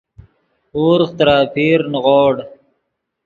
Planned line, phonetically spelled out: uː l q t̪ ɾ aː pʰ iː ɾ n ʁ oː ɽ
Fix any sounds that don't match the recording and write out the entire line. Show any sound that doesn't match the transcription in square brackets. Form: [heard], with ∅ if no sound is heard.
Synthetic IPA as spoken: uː [ɾ] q t̪ ɾ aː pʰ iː ɾ n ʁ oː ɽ